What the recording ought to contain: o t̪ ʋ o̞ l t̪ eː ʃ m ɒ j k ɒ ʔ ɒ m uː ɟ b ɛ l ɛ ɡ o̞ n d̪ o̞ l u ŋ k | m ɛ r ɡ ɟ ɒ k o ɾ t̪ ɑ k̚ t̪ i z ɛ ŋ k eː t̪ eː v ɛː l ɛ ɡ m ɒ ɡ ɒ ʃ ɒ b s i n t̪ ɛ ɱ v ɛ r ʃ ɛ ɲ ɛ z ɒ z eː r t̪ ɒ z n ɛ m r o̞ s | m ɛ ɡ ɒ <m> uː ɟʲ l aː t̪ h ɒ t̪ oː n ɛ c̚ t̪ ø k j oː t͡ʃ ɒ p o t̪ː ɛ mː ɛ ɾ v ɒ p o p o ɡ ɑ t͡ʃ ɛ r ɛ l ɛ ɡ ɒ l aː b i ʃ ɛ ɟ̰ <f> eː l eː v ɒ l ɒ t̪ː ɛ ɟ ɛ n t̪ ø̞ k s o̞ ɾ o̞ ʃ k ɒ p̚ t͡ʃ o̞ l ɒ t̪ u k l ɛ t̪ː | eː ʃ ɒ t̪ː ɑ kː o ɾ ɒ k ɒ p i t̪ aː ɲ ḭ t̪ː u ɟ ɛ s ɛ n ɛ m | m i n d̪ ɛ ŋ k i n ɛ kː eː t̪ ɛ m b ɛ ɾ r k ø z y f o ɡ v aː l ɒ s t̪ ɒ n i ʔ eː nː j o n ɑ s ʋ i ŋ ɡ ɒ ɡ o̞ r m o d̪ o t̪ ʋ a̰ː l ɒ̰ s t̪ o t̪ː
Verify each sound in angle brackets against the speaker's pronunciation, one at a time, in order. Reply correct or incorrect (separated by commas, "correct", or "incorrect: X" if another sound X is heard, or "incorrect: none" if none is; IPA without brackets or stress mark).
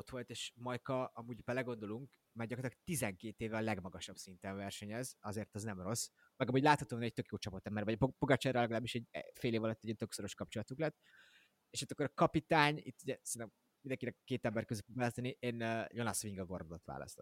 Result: correct, correct